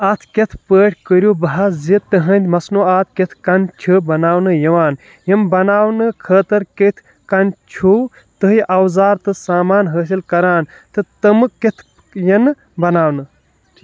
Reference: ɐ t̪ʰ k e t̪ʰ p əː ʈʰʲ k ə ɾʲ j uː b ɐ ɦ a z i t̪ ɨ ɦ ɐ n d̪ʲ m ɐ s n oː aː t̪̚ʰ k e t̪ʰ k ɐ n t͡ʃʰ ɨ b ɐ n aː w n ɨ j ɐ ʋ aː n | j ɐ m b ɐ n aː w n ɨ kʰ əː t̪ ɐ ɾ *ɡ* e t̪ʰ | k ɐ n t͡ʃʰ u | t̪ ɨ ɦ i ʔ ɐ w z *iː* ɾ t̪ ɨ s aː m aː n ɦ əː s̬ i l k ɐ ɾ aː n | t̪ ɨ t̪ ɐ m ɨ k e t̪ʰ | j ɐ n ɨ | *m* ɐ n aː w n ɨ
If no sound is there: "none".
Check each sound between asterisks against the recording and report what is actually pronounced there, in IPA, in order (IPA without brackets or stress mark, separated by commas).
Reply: k, aː, b